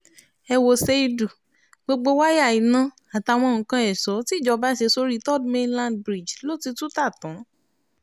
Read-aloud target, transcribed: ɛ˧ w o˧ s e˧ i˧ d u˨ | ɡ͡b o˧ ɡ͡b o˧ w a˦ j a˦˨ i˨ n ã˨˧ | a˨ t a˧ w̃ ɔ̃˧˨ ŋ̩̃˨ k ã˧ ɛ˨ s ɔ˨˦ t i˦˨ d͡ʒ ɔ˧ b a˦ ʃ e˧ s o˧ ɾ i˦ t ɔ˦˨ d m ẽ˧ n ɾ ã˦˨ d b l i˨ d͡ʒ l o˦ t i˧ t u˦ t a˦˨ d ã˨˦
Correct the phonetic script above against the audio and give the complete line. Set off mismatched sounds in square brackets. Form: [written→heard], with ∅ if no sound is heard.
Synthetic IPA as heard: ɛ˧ w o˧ s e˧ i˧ d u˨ | ɡ͡b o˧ ɡ͡b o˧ w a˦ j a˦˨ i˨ n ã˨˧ | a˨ t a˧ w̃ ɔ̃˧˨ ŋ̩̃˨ k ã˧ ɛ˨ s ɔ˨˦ t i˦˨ d͡ʒ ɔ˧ b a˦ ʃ e˧ s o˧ ɾ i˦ t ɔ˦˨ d m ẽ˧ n [ɾ→l] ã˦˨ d b [l→ɾ] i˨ d͡ʒ l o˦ t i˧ t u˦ t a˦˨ [d→t] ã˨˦